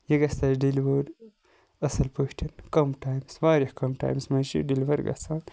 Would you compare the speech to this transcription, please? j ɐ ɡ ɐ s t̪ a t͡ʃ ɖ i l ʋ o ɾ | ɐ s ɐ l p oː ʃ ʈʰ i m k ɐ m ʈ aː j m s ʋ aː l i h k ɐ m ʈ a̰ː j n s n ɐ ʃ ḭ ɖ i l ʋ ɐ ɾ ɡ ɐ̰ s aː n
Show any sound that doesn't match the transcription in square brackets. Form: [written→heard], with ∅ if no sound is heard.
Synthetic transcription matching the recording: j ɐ ɡ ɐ s t̪ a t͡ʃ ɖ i l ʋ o ɾ | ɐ s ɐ l p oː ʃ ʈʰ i [m→n] k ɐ m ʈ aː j m s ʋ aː [l→ɾ] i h k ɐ m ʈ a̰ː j [n→m] s [n→m] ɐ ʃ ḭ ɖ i l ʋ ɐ ɾ ɡ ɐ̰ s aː n